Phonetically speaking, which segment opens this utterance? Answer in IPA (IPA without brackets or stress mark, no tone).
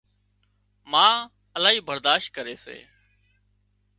m